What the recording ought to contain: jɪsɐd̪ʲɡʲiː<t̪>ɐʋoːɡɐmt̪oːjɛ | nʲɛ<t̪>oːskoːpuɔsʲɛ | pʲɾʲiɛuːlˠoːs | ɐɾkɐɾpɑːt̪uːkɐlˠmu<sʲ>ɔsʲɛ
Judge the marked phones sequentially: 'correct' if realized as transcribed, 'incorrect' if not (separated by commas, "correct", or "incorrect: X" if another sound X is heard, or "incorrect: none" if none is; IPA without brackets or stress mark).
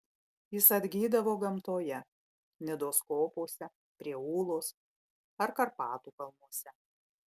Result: incorrect: d̪, incorrect: d̪, incorrect: none